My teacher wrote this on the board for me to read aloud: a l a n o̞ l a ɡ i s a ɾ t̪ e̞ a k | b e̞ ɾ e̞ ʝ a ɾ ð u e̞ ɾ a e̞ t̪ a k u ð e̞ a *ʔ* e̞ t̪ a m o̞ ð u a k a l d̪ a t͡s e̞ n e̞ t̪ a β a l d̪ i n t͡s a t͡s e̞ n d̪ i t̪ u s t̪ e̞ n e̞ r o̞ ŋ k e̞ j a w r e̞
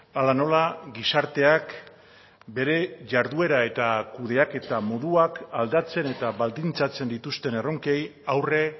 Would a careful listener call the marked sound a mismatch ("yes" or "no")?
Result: yes